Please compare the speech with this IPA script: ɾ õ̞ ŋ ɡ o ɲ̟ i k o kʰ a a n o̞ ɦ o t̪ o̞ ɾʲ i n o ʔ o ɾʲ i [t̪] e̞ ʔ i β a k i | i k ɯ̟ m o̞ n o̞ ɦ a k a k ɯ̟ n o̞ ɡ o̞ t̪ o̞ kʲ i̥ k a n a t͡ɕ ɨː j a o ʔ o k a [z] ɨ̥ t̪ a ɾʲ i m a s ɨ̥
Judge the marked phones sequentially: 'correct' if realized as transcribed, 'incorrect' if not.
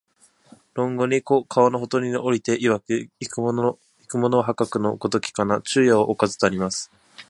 correct, correct

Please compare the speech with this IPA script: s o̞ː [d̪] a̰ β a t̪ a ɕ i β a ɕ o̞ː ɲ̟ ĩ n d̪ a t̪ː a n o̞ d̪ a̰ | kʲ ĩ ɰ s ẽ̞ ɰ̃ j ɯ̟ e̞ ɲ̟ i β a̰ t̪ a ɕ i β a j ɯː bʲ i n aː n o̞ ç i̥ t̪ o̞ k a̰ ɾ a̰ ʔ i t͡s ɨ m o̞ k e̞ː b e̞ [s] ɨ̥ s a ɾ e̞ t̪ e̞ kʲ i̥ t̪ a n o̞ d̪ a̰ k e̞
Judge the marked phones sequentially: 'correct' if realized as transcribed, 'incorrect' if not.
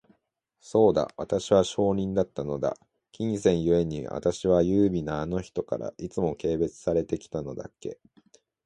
correct, incorrect

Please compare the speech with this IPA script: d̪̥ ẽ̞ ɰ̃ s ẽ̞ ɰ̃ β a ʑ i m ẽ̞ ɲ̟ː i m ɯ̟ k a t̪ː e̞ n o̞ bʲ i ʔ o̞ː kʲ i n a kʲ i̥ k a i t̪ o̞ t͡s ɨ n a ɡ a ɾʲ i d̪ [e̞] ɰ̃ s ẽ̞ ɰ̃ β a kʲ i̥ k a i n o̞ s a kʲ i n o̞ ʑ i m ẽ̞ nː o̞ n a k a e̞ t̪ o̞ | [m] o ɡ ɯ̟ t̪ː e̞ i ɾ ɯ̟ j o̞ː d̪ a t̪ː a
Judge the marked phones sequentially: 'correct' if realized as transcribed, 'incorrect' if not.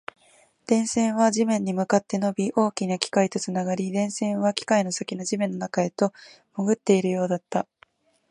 incorrect, correct

